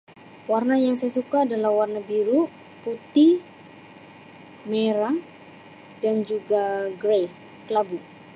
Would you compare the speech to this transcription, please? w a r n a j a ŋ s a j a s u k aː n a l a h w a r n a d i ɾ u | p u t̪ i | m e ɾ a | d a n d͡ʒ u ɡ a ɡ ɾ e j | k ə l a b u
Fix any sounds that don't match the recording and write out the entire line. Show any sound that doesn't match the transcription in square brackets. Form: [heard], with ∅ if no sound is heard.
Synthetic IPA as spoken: w a r n a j a ŋ s a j a s u k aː [d] a l a h w a r n a [b] i ɾ u | p u t̪ i | m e ɾ a | d a n d͡ʒ u ɡ a ɡ ɾ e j | k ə l a b u